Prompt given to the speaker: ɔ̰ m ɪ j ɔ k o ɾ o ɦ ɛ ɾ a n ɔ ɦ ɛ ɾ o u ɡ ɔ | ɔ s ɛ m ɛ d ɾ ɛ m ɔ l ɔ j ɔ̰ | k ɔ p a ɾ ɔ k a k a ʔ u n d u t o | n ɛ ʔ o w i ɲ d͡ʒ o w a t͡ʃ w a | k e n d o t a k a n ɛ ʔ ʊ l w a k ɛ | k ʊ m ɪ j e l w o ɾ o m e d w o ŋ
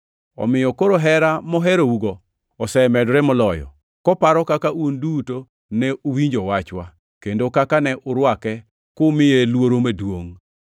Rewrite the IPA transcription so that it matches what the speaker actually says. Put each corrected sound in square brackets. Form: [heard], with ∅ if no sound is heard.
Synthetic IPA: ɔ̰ m ɪ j ɔ k o ɾ o ɦ ɛ ɾ a [m] ɔ ɦ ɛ ɾ o u ɡ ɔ | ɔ s ɛ m ɛ d ɾ ɛ m ɔ l ɔ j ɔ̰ | k ɔ p a ɾ ɔ k a k a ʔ u n d u t o | n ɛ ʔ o w i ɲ d͡ʒ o w a t͡ʃ w a | k e n d o [k] a k a n ɛ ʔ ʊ [ɾ] w a k ɛ | k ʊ m ɪ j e l w o ɾ o m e d w o ŋ